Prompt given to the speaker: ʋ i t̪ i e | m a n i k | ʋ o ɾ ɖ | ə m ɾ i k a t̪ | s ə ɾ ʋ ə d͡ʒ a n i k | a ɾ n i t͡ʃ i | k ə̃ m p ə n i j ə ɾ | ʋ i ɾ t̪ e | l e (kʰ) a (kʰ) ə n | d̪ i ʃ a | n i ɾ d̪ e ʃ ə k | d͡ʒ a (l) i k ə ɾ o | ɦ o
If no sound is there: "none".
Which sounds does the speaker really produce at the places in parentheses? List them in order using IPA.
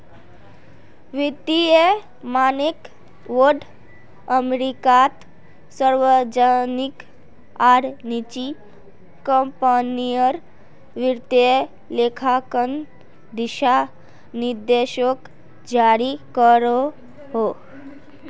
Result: kʰ, k, ɾ

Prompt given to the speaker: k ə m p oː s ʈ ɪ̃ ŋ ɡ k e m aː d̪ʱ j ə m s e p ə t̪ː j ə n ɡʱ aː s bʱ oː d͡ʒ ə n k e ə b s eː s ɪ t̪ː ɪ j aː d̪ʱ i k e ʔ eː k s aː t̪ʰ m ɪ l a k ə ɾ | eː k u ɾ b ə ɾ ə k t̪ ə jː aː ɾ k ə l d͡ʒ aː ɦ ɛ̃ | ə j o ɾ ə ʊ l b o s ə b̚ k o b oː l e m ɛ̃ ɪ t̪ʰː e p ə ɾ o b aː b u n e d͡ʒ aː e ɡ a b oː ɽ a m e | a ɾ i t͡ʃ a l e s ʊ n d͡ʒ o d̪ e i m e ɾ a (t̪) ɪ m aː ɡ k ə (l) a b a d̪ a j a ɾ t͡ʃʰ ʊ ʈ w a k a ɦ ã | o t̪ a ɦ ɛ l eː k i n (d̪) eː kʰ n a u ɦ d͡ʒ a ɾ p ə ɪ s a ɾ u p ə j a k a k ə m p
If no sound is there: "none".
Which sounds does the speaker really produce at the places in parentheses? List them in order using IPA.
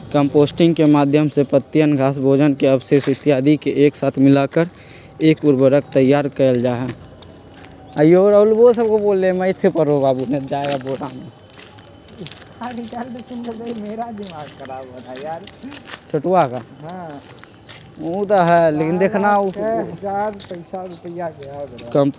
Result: d̪, ɾ, d̪

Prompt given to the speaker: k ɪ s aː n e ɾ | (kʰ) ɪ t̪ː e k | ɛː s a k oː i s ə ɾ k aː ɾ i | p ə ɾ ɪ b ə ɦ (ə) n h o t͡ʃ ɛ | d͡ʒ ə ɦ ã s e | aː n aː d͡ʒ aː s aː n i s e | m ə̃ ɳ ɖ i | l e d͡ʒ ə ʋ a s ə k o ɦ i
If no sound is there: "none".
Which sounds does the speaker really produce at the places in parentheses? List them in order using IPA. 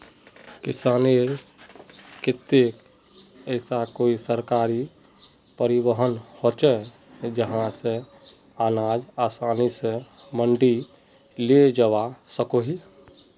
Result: k, ə

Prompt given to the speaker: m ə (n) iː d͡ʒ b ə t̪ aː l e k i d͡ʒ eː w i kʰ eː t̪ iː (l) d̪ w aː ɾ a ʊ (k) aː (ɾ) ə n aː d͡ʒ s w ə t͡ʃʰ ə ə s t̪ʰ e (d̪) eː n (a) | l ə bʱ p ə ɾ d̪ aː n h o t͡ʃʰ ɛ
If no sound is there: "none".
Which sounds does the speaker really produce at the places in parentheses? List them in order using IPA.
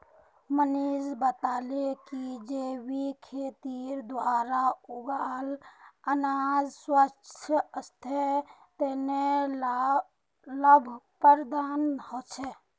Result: n, ɾ, ɡ, l, t̪, e

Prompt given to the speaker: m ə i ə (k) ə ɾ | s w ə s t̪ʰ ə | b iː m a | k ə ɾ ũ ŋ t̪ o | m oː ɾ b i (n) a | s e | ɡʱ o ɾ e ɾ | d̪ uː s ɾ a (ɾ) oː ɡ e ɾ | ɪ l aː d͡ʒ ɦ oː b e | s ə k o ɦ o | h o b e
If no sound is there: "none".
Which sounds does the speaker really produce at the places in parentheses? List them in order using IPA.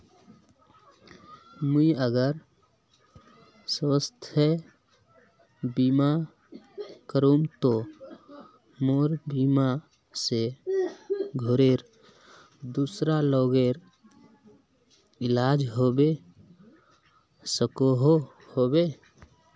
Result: ɡ, m, l

